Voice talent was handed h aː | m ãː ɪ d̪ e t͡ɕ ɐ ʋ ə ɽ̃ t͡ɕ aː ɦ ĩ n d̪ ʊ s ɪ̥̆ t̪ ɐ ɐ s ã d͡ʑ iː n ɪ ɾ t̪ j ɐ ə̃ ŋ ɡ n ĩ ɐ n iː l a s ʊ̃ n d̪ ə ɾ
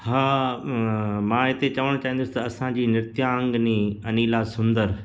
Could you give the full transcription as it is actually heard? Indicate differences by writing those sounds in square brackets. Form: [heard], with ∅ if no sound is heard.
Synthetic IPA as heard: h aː | m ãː ɪ [t̪] e t͡ɕ ɐ ʋ ə ɽ̃ t͡ɕ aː ɦ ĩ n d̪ ʊ s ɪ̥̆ t̪ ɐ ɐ s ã d͡ʑ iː n ɪ ɾ t̪ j [a] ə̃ ŋ ɡ n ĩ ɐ n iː l a s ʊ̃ n d̪ ə ɾ